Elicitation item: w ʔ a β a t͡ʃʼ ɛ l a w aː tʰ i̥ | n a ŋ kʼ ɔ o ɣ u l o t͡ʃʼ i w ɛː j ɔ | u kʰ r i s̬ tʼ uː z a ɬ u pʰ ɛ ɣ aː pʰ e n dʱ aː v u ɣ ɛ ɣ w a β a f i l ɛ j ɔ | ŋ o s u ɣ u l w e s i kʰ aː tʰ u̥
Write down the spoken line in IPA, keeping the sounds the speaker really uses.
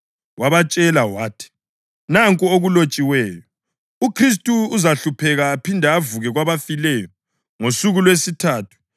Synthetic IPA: w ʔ a β a t͡ʃʼ ɛ l a w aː tʰ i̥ | n a ŋ kʼ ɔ o ɣ u l o t͡ʃʼ i w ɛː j ɔ | u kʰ r i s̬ tʼ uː z a ɬ u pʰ ɛ ɣ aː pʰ i n dʱ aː v u ɣ ɛ ɣ w a β a f i l ɛ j ɔ | ŋ o s u ɣ u l w e s i tʰ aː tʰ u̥